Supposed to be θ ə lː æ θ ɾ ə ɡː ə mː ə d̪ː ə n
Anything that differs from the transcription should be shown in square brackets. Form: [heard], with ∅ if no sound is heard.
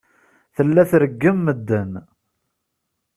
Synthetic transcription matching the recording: θ ə lː æ θ ɾ ə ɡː ə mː ə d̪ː ə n